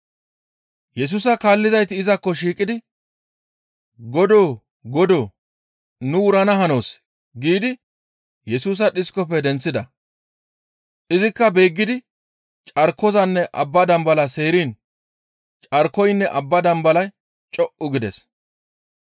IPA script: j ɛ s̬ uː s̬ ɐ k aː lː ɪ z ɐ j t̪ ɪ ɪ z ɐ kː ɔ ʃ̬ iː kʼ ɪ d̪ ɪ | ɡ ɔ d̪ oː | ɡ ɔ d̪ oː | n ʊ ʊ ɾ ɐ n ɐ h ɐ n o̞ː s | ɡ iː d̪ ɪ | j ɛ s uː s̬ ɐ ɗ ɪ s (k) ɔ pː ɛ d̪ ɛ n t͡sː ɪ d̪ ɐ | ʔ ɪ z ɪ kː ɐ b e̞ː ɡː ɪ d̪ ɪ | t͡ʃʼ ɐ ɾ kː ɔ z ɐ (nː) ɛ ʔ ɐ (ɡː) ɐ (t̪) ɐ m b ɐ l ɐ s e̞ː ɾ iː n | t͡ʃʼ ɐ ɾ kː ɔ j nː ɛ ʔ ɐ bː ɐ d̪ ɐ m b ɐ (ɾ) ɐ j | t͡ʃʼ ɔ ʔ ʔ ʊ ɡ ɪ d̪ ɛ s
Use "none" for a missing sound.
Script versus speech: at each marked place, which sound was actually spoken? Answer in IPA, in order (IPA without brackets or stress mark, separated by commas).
k, nː, bː, d̪, l